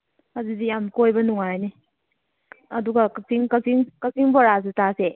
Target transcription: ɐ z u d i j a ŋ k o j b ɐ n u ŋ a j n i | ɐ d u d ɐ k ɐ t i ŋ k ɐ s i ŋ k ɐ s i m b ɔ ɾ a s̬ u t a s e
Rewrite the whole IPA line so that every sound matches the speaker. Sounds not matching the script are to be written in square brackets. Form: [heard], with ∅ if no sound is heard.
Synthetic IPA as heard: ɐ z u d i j a [m] k o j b ɐ n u ŋ a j n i | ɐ d u [ɡ] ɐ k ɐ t i ŋ k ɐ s i ŋ k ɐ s i [ŋ] b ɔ ɾ a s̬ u t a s e